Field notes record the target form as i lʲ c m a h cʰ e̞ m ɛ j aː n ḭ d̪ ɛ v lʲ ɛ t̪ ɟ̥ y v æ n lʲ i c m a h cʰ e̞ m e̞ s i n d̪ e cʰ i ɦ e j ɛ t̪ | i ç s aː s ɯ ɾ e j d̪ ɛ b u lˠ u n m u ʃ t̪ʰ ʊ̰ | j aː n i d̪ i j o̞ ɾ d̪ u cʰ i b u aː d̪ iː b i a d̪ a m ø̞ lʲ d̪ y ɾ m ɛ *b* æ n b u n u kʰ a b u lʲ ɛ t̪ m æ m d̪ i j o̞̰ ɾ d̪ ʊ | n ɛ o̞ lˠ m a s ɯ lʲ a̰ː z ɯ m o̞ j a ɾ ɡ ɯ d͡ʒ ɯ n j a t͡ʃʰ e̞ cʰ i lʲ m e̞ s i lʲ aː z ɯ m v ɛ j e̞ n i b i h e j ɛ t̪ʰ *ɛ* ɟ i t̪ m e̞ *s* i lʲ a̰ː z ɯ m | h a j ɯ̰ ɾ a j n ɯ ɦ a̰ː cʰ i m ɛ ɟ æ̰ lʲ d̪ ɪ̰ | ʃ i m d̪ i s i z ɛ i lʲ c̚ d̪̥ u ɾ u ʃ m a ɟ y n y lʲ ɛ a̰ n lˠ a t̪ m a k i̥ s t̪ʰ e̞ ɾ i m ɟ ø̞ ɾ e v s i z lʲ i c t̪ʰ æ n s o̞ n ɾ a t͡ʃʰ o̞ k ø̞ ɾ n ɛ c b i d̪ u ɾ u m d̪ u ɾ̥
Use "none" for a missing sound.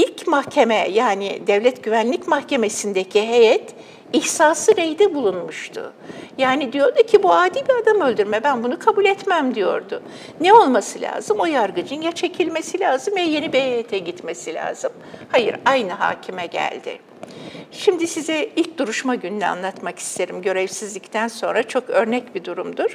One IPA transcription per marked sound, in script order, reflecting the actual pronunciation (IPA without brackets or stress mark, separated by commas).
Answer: b, ɛ, s